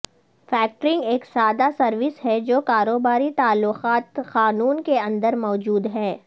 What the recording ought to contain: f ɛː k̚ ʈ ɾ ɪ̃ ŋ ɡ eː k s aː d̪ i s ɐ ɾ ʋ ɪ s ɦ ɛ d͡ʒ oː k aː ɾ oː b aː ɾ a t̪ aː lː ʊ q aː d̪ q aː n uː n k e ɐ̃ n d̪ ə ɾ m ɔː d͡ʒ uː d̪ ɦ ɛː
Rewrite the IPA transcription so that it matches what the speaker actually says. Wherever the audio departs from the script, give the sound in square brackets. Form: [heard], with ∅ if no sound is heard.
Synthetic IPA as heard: f ɛː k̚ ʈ ɾ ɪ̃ ŋ ɡ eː k s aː d̪ [a] s ɐ ɾ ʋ ɪ s ɦ ɛ d͡ʒ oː k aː ɾ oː b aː ɾ [i] t̪ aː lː ʊ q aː [t̪] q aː n uː n k e ɐ̃ n d̪ ə ɾ m ɔː d͡ʒ uː d̪ ɦ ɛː